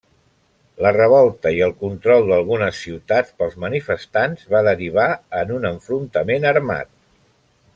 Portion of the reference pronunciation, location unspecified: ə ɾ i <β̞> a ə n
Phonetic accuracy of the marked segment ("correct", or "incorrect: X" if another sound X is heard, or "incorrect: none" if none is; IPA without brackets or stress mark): correct